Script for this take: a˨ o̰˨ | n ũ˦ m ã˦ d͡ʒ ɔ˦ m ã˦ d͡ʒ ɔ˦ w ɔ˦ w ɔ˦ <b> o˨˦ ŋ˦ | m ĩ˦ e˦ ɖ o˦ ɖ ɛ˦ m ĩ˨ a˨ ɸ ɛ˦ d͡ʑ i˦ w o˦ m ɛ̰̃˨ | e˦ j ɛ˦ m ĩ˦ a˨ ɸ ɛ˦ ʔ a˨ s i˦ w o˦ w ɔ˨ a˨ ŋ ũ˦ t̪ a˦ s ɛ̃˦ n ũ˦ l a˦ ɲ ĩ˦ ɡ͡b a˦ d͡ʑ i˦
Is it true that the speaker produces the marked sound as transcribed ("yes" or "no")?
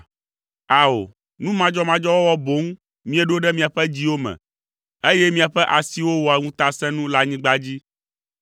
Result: yes